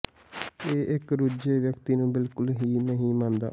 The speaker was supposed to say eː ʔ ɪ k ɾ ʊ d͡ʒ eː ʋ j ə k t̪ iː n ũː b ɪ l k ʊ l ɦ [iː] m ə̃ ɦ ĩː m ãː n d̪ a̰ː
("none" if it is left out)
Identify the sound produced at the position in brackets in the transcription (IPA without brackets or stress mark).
iː